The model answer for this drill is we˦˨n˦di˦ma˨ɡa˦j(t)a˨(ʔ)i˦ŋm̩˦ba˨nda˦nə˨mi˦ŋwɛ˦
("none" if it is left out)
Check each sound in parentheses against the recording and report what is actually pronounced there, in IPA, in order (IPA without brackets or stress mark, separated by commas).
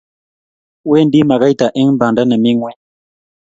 t, ʔ